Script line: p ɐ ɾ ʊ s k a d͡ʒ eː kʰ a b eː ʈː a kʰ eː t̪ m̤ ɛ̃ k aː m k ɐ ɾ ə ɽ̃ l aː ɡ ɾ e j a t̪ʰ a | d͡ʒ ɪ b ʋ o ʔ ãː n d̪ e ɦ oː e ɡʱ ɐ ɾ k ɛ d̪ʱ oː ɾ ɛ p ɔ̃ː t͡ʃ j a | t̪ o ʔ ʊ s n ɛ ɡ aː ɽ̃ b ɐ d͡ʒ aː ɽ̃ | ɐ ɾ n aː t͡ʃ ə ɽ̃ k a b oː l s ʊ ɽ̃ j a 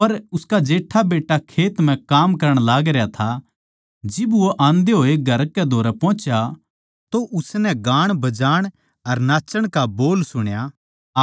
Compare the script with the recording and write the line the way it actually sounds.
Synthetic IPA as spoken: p ɐ ɾ ʊ s k a d͡ʒ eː ʈʰ a b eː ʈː a kʰ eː t̪ m̤ ɛ̃ k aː m k ɐ ɾ ə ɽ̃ l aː ɡ ɾ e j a t̪ʰ a | d͡ʒ ɪ b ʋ o ʔ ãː n d̪ e ɦ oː e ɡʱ ɐ ɾ k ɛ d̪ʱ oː ɾ ɛ p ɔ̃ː t͡ʃ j a | t̪ o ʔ ʊ s n ɛ ɡ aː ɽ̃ b ɐ d͡ʒ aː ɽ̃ | ɐ ɾ n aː t͡ʃ ə ɽ̃ k a b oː l s ʊ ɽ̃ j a

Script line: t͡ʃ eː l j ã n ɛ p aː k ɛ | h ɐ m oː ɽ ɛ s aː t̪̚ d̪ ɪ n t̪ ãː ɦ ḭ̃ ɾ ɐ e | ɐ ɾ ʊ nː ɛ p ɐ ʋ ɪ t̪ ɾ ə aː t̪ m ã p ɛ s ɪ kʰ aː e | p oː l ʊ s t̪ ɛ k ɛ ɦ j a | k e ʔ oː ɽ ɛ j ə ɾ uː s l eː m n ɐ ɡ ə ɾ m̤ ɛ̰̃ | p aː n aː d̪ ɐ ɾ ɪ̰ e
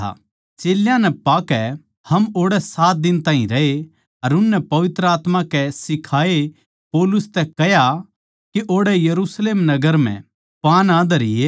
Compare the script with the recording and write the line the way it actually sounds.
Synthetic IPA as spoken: t͡ʃ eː l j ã n ɛ p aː k ɛ | h ɐ m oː ɽ ɛ s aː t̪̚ d̪ ɪ n t̪ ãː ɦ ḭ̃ ɾ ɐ e | ɐ ɾ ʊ nː ɛ p ɐ ʋ ɪ t̪ ɾ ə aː t̪ m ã k ɛ s ɪ kʰ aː e | p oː l ʊ s t̪ ɛ k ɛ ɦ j a | k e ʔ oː ɽ ɛ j ɐ ɾ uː s l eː m n ɐ ɡ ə ɾ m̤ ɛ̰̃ | p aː n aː d̪ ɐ ɾ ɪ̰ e

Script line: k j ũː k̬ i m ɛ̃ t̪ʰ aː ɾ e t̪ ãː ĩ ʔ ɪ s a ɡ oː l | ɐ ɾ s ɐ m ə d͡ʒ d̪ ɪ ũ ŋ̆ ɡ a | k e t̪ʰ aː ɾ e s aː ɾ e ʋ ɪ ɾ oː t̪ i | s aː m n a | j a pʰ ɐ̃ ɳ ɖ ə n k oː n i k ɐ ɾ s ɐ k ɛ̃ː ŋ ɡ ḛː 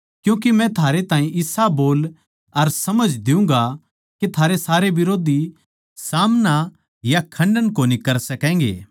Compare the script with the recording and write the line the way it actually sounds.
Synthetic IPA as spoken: k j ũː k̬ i m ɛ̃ t̪ʰ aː ɾ e t̪ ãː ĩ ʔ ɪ s a b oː l | ɐ ɾ s ɐ m ə d͡ʒ d̪ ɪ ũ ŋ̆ ɡ a | k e t̪ʰ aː ɾ e s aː ɾ e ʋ ɪ ɾ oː d̪ i | s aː m n a | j a kʰ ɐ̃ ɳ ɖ ə n k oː n i k ɐ ɾ s ɐ k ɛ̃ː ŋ ɡ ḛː

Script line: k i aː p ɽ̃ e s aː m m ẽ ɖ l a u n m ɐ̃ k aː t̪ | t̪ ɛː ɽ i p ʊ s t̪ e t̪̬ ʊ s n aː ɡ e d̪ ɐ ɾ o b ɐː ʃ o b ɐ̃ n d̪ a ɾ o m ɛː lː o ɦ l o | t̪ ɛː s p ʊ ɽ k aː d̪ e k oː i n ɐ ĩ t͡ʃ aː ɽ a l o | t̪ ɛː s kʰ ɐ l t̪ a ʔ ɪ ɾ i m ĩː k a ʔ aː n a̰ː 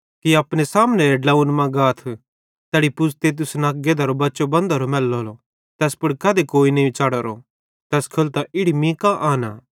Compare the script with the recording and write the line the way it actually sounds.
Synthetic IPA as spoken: k i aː p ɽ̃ e s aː m n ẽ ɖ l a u n m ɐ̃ ɡ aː t̪ʰ | t̪ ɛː ɽ i p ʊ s t̪ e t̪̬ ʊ s n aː ɡ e d̪ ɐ ɾ o b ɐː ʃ o b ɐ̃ n d̪ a ɾ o m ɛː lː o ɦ l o | t̪ ɛː s p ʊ ɽ k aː d̪ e k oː i n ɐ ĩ t͡ʃ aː ɽ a ɾ o | t̪ ɛː s kʰ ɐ l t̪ a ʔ ɪ ɽ i m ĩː k a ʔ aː n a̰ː

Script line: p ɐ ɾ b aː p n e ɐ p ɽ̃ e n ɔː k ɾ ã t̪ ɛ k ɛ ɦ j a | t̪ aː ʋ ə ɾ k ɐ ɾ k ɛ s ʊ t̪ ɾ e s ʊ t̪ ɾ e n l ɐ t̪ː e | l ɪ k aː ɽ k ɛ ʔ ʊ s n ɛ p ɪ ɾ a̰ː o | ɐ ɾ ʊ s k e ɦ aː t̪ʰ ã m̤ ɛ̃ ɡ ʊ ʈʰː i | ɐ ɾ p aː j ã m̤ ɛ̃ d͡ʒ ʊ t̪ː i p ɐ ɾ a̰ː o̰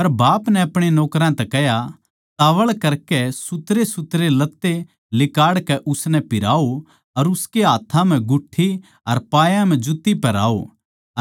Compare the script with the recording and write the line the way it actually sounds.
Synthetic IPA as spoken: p ɐ ɾ b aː p n ɛ ɐ p ɽ̃ e n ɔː k ɾ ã t̪ ɛ k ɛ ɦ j a | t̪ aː ʋ ə ɭ k ɐ ɾ k ɛ s ʊ t̪ ɾ e s ʊ t̪ ɾ e l ɐ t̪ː e | l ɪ k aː ɽ k ɛ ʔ ʊ s n ɛ p ɪ ɾ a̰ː o | ɐ ɾ ʊ s k e ɦ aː t̪ʰ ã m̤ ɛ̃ ɡ ʊ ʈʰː i | ɐ ɾ p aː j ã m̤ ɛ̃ d͡ʒ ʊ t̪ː i p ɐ ɾ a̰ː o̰

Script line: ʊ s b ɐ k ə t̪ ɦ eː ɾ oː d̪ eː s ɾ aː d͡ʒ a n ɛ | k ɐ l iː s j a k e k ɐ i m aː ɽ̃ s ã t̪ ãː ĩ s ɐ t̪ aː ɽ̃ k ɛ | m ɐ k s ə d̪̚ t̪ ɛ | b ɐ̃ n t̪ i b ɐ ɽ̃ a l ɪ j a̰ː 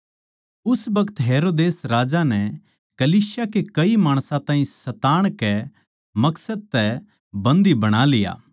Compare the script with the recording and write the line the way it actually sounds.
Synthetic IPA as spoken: ʊ s b ɐ k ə t̪ ɦ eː ɾ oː d̪ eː s ɾ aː d͡ʒ a n ɛ | k ɐ l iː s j a k e k ɐ i m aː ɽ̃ s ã t̪ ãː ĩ s ɐ t̪ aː ɽ̃ k ɛ | m ɐ k s ə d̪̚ t̪ ɛ | b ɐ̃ n d̪ i b ɐ ɽ̃ a l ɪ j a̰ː

